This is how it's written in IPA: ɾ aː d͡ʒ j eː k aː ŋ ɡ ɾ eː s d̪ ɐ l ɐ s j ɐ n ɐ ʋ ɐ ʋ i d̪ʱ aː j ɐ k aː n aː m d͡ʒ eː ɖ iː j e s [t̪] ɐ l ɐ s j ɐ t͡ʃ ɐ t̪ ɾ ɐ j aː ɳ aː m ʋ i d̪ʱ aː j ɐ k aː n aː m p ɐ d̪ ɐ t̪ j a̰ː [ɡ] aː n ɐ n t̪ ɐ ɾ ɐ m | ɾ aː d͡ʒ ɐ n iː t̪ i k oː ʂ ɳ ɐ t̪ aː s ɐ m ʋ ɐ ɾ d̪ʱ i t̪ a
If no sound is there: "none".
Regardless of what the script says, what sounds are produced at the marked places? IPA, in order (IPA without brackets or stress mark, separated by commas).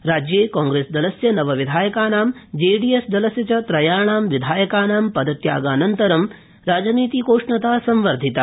d̪, ɡ